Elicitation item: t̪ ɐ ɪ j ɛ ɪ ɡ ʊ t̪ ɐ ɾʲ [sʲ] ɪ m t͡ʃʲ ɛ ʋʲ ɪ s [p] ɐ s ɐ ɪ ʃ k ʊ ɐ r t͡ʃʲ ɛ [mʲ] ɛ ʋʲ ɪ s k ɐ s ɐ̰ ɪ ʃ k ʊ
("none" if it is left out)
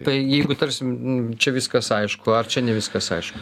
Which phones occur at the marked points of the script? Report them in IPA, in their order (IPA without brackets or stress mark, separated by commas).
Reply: sʲ, k, nʲ